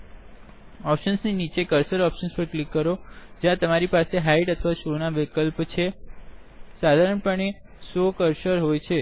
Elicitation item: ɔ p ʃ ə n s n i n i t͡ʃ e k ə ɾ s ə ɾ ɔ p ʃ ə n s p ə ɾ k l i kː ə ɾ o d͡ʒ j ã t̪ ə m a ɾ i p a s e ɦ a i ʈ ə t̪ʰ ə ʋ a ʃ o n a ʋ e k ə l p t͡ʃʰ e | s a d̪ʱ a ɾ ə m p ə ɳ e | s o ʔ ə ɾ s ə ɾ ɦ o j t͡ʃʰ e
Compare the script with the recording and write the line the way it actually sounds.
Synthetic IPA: ɔ p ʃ ə n s n i n i t͡ʃ e k ə ɾ s ə ɾ ɔ p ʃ ə n s p ə ɾ k l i kː ə ɾ o d͡ʒ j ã t̪ ə m a ɾ i p a s e ɦ a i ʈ ə t̪ʰ ə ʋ a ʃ o n a ʋ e k ə l p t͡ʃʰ e | s a d̪ʱ a ɾ ə ɳ p ə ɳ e | s o k ə ɾ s ə ɾ ɦ o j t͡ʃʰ e